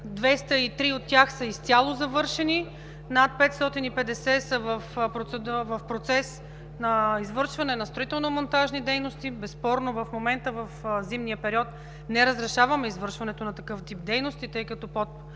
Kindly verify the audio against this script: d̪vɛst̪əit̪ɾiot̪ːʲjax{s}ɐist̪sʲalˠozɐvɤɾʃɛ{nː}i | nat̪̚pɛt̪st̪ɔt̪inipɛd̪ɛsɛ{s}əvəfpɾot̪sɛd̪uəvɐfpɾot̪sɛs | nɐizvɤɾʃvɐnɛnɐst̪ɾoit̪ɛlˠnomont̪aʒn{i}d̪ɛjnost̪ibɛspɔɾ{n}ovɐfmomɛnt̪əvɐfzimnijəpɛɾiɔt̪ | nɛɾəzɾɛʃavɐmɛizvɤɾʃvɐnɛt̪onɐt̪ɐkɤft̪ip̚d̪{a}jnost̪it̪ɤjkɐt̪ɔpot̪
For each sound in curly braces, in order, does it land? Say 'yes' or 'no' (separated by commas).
yes, no, yes, yes, yes, no